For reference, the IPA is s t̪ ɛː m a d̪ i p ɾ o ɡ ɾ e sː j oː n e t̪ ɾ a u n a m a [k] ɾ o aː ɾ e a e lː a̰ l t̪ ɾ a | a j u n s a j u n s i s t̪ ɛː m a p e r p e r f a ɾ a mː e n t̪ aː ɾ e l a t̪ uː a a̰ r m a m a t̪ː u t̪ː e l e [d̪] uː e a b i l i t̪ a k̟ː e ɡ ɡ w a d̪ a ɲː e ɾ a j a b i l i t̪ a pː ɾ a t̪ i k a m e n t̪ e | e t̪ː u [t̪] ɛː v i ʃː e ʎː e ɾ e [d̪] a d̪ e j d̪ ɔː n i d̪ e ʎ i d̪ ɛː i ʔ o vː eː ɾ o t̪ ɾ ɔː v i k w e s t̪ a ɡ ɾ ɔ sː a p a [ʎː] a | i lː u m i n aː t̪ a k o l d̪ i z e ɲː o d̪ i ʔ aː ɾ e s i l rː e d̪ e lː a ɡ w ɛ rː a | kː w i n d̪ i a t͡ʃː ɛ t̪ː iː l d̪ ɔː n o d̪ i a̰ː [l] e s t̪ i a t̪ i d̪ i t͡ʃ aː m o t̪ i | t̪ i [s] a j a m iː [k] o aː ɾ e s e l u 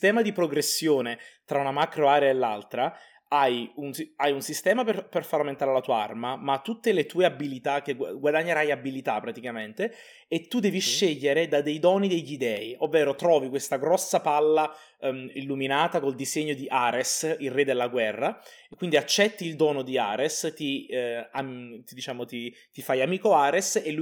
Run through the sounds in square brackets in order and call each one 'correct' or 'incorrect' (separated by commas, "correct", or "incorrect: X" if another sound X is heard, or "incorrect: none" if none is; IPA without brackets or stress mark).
correct, incorrect: t̪, incorrect: d̪, correct, incorrect: lː, incorrect: ɾ, incorrect: f, correct